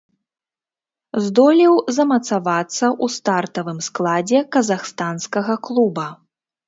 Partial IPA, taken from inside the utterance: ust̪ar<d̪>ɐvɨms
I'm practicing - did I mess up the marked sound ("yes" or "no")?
yes